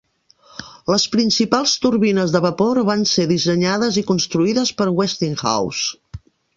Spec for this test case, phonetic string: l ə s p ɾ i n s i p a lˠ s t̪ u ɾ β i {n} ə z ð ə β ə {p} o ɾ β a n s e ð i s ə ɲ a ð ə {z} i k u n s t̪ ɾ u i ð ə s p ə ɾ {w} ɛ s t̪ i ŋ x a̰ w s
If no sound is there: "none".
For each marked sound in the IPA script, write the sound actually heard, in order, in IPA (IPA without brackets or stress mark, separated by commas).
n, p, z, w